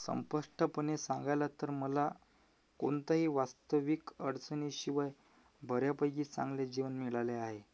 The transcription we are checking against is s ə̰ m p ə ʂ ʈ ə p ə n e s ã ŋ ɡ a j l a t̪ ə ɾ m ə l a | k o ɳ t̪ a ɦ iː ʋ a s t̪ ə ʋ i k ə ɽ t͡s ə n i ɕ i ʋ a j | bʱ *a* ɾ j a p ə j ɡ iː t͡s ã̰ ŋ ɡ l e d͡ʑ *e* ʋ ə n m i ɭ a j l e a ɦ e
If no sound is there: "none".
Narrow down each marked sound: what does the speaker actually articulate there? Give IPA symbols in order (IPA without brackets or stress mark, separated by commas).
ə, i